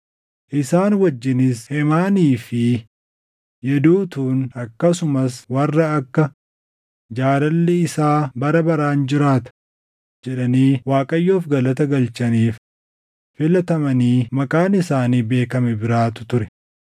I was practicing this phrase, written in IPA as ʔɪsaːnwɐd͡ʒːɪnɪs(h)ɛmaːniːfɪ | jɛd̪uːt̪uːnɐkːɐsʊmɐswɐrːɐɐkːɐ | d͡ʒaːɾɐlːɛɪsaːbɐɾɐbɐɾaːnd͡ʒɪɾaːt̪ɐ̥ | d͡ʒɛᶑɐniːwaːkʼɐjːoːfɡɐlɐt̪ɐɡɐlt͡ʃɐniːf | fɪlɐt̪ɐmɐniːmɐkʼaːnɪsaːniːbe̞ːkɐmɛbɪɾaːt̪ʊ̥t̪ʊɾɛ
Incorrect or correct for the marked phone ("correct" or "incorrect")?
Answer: correct